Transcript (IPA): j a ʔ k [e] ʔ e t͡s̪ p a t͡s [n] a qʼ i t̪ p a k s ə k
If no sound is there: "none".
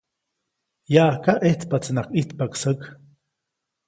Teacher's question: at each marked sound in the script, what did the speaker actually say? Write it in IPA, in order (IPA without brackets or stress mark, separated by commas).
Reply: a, n